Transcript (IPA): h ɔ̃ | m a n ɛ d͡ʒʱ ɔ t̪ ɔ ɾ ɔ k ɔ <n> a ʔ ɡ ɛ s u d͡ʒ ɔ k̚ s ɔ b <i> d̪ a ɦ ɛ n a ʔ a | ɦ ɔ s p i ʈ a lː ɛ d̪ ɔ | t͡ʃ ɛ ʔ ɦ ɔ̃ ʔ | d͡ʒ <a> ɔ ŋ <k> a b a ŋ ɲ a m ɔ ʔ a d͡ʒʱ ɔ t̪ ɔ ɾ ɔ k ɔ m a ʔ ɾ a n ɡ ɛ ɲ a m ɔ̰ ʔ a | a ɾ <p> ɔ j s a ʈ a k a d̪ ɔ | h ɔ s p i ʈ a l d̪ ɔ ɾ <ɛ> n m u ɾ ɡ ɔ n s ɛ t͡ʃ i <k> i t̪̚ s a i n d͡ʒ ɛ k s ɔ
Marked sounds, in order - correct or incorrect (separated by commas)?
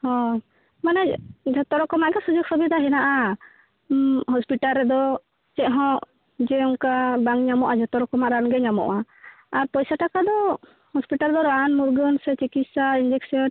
incorrect, correct, incorrect, correct, correct, incorrect, correct